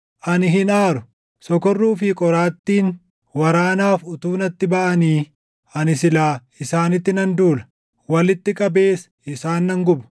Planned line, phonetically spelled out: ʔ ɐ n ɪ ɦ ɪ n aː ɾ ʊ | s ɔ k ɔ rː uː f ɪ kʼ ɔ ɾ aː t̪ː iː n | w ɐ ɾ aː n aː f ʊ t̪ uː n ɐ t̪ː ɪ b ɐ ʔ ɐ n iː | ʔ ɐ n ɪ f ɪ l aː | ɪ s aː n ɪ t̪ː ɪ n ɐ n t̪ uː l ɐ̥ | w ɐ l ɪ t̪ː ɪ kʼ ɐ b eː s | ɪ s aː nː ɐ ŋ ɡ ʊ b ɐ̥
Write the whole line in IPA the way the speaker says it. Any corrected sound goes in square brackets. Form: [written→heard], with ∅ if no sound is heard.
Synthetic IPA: ʔ ɐ n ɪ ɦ ɪ n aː ɾ ʊ | s ɔ k ɔ rː uː f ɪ kʼ ɔ ɾ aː t̪ː iː n | w ɐ ɾ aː n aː f ʊ t̪ uː n ɐ t̪ː ɪ b ɐ ʔ ɐ n iː | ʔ ɐ n ɪ [f→s] ɪ l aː | ɪ s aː n ɪ t̪ː ɪ n ɐ n [t̪→d̪] uː l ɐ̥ | w ɐ l ɪ t̪ː ɪ kʼ ɐ b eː s | ɪ s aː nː ɐ ŋ ɡ ʊ b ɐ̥